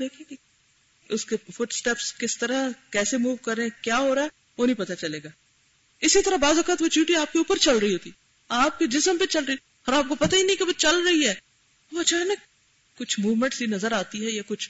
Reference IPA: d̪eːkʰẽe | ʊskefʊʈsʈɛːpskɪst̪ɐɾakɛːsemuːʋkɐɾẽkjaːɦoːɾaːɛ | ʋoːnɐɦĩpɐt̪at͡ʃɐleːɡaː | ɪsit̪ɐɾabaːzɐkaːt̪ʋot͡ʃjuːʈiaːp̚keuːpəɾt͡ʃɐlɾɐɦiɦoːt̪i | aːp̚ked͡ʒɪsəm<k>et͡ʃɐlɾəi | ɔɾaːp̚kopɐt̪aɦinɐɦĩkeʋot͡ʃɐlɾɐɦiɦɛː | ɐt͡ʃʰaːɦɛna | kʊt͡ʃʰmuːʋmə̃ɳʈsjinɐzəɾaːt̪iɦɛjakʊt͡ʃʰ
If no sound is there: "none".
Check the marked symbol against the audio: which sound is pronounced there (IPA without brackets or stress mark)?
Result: p